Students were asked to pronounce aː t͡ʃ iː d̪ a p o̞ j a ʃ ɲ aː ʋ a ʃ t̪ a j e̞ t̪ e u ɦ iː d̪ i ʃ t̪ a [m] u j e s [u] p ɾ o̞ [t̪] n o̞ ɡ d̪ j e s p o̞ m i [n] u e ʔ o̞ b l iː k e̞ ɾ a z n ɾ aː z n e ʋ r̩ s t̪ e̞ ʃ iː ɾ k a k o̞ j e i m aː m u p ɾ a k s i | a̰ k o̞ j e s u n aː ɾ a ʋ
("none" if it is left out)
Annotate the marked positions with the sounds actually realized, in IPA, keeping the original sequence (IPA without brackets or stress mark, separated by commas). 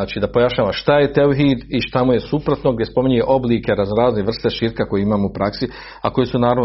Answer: m, u, t̪, ɲ